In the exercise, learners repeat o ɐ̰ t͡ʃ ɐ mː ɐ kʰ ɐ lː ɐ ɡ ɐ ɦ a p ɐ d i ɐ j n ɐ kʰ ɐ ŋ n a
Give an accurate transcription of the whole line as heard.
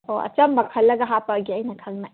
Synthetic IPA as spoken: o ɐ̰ t͡ʃ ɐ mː ɐ kʰ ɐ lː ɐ ɡ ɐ ɦ a p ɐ ɡ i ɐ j n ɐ kʰ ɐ ŋ n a